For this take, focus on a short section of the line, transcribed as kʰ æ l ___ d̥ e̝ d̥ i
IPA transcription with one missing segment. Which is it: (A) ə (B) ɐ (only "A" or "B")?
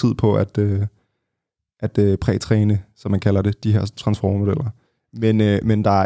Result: B